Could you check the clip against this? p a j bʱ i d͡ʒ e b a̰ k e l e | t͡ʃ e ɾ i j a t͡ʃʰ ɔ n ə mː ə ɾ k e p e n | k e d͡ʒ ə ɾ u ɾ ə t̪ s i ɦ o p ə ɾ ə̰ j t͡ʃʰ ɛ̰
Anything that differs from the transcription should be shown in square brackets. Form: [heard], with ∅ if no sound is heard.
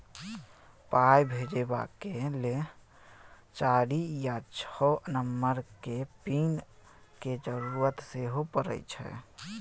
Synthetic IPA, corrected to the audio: p a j bʱ [e] d͡ʒ e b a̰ k e l e | t͡ʃ [a] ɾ i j a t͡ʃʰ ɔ n ə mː ə ɾ k e p [i] n | k e d͡ʒ ə ɾ u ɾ ə t̪ s [e] ɦ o p ə ɾ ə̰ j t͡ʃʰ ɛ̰